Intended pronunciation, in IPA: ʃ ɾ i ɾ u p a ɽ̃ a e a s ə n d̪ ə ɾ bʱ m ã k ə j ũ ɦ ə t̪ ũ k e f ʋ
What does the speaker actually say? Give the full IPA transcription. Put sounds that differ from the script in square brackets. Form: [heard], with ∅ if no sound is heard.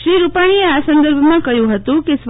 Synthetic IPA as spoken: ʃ ɾ i ɾ u p a ɽ̃ [i] e a s ə n d̪ ə ɾ bʱ m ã k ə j ũ ɦ ə t̪ ũ k e [s] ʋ